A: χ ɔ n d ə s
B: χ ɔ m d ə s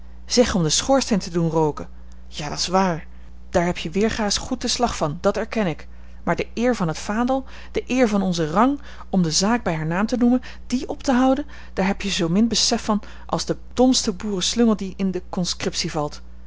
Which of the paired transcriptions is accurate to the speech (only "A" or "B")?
B